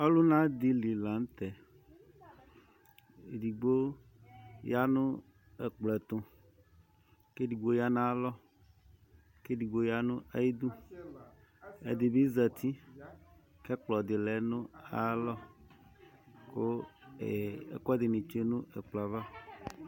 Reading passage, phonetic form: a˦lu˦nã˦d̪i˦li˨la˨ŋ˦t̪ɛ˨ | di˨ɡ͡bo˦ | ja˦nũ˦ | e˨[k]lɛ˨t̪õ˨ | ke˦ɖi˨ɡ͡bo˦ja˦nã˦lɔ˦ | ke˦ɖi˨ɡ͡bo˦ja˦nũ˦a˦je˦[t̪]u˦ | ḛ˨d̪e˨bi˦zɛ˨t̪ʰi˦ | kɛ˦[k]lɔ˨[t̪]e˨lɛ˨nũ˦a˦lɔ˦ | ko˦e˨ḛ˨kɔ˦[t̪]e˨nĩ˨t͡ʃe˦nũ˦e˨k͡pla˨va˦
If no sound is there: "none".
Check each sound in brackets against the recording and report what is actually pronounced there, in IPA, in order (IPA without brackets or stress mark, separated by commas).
k͡p, d̪, k͡p, d̪, d̪